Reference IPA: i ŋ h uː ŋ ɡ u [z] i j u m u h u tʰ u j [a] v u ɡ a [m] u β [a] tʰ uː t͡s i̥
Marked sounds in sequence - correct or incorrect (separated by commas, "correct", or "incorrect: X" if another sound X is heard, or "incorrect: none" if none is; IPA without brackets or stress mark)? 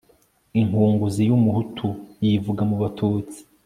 correct, incorrect: i, correct, correct